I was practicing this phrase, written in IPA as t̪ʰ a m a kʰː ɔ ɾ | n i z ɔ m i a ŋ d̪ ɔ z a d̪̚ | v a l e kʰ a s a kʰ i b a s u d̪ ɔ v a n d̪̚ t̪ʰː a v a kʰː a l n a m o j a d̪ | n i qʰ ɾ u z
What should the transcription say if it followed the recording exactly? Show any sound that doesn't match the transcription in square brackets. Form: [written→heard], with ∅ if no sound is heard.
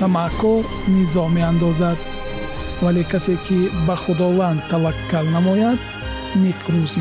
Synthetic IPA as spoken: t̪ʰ a m a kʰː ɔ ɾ | n i z ɔ m [i→e] a [ŋ→n] d̪ ɔ z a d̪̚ | v a l e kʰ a s [a→e] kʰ i b a [s→χ] u d̪ ɔ v a n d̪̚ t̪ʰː a v a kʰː a l n a m [o→ɔ] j a d̪ | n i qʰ ɾ u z